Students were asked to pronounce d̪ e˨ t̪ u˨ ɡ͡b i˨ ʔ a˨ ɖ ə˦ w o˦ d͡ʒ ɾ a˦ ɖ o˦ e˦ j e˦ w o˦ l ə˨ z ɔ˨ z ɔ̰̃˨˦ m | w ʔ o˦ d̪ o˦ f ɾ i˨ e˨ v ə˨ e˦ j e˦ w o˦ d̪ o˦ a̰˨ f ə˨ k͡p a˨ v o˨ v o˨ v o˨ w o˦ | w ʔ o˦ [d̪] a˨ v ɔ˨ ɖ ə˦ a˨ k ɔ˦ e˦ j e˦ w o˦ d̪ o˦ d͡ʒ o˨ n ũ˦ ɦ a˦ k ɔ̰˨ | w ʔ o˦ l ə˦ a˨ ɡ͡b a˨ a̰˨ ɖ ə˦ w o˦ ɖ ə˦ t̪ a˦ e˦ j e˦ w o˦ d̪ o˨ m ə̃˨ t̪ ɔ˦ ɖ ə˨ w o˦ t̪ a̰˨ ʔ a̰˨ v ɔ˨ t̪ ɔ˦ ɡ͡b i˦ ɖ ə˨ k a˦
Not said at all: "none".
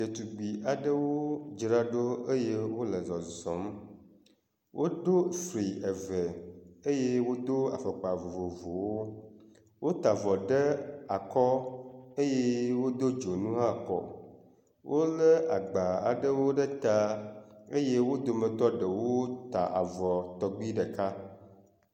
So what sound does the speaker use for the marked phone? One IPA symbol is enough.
t̪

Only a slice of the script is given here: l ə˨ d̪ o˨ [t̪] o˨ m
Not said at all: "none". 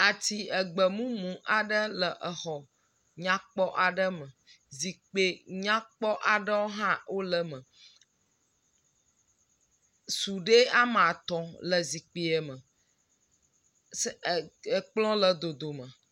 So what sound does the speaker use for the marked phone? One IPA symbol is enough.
d̪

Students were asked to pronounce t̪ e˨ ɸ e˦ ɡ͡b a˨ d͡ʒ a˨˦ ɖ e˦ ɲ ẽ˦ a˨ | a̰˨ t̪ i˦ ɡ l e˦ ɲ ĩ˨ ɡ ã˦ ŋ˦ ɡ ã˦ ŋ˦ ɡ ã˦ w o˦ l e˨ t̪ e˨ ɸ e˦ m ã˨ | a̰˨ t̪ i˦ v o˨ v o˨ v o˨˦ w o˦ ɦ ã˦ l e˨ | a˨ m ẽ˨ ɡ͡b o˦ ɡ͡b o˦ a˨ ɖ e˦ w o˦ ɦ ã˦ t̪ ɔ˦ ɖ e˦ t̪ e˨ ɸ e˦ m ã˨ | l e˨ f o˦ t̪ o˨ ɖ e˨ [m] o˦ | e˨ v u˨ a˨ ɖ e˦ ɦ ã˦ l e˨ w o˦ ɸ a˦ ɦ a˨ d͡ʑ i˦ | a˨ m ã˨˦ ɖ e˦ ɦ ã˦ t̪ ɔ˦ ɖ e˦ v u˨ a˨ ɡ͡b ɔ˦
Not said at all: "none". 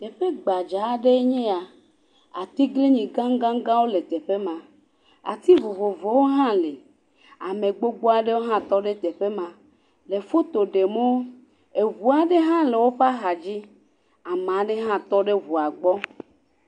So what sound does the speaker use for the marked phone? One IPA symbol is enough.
m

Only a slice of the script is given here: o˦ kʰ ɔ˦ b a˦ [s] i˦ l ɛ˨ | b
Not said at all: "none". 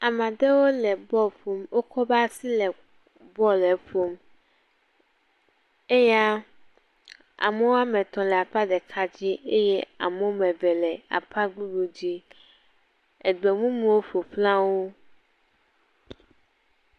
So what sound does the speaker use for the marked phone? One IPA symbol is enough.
s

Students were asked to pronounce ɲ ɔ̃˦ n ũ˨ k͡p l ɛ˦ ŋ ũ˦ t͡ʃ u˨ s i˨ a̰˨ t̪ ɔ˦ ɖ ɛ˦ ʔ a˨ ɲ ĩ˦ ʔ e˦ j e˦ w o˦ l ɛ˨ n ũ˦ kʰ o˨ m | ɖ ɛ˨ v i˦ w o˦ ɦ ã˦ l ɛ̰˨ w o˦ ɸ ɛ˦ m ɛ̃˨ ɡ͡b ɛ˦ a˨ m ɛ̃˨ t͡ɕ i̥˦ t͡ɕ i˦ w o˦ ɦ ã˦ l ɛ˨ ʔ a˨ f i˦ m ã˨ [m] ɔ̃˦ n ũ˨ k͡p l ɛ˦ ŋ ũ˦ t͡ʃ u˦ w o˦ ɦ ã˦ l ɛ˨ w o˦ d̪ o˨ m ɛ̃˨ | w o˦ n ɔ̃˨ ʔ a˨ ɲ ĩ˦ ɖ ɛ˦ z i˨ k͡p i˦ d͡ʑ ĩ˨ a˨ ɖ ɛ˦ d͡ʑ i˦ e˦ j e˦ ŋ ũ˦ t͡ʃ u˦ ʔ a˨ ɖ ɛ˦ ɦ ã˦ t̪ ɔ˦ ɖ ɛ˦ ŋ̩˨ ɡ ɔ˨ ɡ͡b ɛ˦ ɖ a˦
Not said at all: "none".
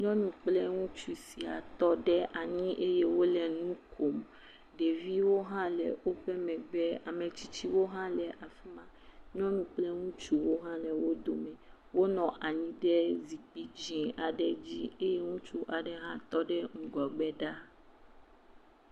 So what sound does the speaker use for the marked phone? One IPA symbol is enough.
ɲ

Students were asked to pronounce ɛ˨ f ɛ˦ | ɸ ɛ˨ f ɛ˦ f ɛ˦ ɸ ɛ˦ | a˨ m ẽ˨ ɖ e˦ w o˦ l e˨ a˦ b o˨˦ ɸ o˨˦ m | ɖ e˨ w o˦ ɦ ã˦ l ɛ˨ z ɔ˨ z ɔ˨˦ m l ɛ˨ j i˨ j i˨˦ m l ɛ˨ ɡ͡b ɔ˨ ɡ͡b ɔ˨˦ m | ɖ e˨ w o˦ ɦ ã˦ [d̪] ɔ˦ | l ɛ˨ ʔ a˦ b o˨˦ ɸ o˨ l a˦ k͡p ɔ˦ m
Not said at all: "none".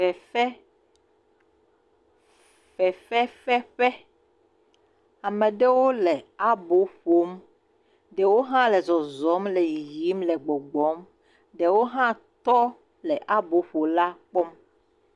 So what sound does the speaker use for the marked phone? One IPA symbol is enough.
t̪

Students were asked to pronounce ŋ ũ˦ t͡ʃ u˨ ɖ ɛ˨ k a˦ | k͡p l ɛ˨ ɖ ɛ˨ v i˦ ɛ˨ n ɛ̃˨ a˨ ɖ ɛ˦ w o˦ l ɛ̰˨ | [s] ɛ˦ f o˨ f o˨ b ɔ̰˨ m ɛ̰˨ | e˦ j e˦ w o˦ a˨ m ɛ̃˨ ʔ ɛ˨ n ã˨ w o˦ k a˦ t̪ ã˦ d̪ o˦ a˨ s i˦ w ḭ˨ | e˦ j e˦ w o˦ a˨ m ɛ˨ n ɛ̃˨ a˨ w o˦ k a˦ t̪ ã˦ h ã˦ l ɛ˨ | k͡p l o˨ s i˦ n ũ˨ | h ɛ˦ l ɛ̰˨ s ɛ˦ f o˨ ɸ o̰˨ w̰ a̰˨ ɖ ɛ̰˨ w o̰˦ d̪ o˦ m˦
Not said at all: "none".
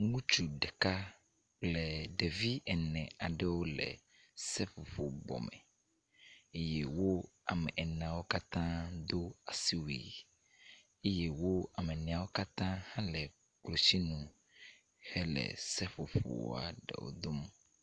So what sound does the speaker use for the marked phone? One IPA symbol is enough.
s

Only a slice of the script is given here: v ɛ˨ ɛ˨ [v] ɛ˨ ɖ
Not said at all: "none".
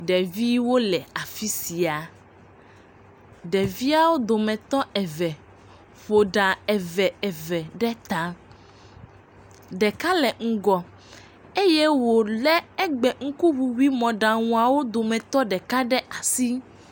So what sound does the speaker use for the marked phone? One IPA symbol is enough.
v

